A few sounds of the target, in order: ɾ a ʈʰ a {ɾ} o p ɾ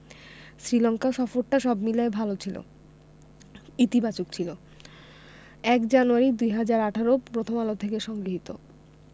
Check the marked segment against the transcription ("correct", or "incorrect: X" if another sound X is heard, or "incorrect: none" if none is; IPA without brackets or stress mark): correct